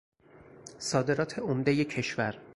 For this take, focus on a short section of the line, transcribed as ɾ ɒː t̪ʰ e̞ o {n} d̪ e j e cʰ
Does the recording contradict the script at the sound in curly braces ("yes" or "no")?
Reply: yes